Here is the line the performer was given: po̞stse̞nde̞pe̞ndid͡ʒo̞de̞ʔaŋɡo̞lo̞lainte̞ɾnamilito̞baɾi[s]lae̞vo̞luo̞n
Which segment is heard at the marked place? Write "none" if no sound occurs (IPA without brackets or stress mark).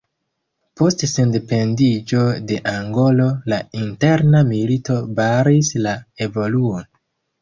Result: s